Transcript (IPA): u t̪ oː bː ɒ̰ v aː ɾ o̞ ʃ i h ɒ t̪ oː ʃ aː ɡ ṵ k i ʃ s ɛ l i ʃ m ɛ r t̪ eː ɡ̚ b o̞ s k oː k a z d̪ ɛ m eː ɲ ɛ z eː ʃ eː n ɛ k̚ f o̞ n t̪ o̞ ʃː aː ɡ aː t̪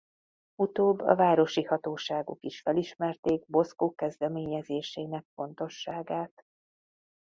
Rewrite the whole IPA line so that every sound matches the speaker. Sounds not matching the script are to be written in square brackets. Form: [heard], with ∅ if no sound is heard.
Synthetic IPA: u t̪ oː bː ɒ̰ v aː ɾ o̞ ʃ i h ɒ t̪ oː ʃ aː ɡ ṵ k i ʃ [f] ɛ l i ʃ m ɛ r t̪ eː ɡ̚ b o̞ s k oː k [ɛ] z d̪ ɛ m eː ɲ ɛ z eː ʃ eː n ɛ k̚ f o̞ n t̪ o̞ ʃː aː ɡ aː t̪